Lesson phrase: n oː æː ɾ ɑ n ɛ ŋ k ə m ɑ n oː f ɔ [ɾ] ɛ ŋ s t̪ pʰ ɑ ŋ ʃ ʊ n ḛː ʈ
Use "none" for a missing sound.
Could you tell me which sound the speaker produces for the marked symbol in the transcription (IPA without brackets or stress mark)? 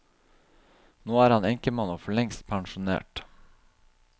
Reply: ɭ